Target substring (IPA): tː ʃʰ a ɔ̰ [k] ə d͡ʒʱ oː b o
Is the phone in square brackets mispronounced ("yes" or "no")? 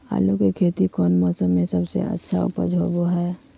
yes